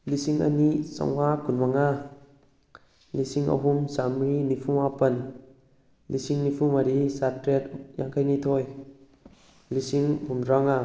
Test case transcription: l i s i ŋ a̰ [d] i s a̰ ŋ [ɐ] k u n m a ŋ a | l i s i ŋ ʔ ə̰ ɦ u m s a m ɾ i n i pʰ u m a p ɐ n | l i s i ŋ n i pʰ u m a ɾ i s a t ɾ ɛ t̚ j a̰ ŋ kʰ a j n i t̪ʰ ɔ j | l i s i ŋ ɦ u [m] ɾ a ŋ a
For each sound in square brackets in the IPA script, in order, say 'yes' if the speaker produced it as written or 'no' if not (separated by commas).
no, no, yes